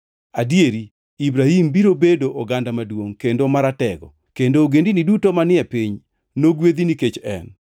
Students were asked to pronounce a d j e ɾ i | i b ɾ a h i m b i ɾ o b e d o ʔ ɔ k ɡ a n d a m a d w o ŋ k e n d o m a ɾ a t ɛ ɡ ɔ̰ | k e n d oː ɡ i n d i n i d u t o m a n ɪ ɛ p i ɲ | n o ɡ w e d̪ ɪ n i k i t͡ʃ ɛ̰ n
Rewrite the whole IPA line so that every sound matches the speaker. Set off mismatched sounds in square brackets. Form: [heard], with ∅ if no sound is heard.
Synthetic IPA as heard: a d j e ɾ i | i b ɾ a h i m b i ɾ o b e d o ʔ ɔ [∅] ɡ a n d a m a d w o ŋ k e n d o m a ɾ a t ɛ ɡ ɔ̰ | k e n d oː ɡ [e] n d i n i d u t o m a n ɪ ɛ p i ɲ | n o ɡ w e d̪ [i] n i k [e] t͡ʃ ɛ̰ n